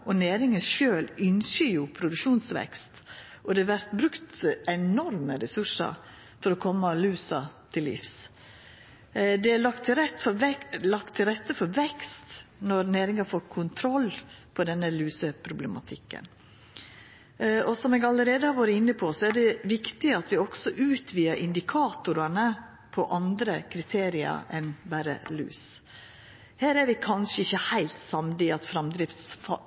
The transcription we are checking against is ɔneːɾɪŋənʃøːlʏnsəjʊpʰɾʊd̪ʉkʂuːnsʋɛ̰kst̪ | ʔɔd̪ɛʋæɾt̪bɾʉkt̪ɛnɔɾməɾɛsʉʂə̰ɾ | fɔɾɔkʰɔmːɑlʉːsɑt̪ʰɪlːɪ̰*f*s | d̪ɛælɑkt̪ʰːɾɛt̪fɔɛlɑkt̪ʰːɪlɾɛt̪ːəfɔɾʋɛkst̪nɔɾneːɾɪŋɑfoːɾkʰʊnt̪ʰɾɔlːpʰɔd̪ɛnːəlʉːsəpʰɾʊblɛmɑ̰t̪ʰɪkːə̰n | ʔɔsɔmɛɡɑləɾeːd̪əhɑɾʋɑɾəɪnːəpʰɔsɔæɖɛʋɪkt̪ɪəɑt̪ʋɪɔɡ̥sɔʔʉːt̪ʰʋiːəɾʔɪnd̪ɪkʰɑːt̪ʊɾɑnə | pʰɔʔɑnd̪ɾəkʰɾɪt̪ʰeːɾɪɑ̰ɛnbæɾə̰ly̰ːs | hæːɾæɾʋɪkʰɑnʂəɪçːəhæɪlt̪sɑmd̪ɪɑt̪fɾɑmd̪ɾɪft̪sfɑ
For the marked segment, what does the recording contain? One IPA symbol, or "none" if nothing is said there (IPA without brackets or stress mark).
f